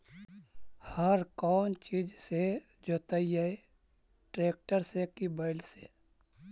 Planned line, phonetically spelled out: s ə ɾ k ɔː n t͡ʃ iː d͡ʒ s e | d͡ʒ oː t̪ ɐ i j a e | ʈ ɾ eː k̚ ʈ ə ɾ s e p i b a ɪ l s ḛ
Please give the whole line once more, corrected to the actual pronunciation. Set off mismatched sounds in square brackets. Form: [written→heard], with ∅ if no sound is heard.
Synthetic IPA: [s→h] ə ɾ k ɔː n t͡ʃ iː d͡ʒ s e | d͡ʒ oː t̪ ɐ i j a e | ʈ ɾ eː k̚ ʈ ə ɾ s e [p→k] i b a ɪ l s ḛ

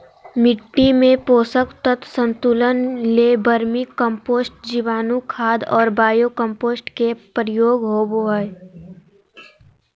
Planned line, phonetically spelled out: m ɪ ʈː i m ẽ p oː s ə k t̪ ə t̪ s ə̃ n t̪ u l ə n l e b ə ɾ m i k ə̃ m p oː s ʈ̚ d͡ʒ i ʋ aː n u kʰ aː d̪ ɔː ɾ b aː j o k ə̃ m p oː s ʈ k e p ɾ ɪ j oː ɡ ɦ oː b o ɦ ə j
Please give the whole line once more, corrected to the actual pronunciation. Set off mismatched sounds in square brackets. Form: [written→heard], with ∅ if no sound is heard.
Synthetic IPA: m ɪ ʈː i m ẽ p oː s ə k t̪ ə t̪ s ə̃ n t̪ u l ə n l e b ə ɾ m i k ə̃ m p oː s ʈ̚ d͡ʒ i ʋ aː n u kʰ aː d̪ ɔː ɾ b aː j o k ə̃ m p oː s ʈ k e p ɾ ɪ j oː ɡ ɦ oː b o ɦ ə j

